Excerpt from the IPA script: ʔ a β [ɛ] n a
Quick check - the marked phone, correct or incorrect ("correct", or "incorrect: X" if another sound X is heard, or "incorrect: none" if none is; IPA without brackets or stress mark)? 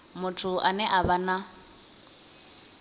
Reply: incorrect: a